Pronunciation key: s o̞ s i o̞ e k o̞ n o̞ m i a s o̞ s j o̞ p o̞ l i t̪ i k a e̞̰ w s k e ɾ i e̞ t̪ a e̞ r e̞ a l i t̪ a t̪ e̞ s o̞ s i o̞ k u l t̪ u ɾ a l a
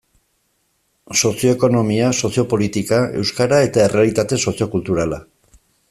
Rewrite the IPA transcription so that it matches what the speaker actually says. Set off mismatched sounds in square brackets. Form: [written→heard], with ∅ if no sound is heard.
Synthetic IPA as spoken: s o̞ s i o̞ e k o̞ n o̞ m i a s o̞ s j o̞ p o̞ l i t̪ i k a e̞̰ w s k [e→a] ɾ [i→a] e̞ t̪ a e̞ r e̞ a l i t̪ a t̪ e̞ s o̞ s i o̞ k u l t̪ u ɾ a l a